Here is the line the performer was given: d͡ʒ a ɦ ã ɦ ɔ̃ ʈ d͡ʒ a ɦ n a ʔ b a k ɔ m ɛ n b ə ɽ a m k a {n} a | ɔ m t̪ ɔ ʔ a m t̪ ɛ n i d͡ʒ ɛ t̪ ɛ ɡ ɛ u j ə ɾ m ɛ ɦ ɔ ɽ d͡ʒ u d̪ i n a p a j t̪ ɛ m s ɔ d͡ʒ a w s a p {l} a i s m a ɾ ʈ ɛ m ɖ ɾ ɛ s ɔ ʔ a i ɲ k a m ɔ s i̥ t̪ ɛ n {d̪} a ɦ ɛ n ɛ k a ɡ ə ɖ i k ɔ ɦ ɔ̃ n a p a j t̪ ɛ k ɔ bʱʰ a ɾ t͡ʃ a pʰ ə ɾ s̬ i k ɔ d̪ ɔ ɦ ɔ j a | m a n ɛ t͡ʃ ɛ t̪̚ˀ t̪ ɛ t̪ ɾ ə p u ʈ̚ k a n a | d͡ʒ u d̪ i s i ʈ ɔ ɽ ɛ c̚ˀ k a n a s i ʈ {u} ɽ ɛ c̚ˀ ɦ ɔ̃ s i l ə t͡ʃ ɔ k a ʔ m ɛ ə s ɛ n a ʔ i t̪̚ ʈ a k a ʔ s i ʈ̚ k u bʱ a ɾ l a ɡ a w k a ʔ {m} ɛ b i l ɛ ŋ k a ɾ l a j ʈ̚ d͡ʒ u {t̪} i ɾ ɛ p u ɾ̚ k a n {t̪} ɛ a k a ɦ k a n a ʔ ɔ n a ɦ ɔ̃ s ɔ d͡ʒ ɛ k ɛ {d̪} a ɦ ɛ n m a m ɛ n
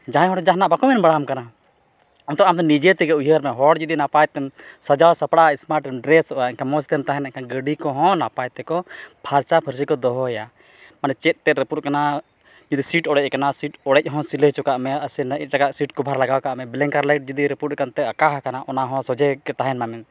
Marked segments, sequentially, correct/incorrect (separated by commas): correct, incorrect, incorrect, incorrect, correct, incorrect, correct, incorrect